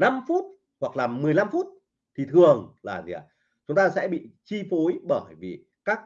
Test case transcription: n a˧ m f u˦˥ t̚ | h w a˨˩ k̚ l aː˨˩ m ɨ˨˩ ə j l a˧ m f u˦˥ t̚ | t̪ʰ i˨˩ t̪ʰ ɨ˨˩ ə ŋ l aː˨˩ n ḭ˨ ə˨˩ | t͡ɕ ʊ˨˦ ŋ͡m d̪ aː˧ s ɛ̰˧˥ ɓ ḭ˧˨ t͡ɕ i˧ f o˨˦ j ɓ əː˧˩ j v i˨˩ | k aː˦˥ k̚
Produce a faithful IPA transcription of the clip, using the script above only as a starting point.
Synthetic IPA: n a˧ m f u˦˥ t̚ | h w a˨˩ k̚ l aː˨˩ m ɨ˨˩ ə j l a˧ m f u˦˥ t̚ | t̪ʰ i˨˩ t̪ʰ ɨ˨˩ ə ŋ l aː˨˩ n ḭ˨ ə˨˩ | t͡ɕ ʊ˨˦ ŋ͡m t̪ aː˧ s ɛ̰˧˥ ɓ ḭ˧˨ t͡ɕ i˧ f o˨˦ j ɓ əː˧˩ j v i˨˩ | k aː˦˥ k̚